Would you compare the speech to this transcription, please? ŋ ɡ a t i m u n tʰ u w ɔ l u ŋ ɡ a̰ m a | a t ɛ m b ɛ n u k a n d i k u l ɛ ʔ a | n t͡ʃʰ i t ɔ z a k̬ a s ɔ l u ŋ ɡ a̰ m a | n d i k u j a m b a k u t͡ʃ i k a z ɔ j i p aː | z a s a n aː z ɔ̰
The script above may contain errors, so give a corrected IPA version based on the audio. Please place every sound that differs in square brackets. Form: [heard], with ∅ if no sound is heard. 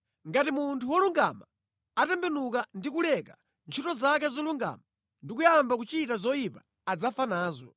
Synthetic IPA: ŋ ɡ a t i m u n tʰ u w ɔ l u ŋ ɡ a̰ m a | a t ɛ m b ɛ n u k a n d i k u l ɛ [k] a | n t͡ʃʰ i t ɔ z a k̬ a [z] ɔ l u ŋ ɡ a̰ m a | n d i k u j a m b a k u t͡ʃ i [t] a z ɔ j i p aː | [d͡z] a [f] a n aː z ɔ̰